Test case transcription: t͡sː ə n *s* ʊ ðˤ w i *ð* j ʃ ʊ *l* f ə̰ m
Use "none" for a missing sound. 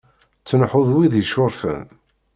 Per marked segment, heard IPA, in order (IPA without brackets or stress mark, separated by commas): ħ, ð, ɾ